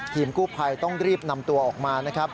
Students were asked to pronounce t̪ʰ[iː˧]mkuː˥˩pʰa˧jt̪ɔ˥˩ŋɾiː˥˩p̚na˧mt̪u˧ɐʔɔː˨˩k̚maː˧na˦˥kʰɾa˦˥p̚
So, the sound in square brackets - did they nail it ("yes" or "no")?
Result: yes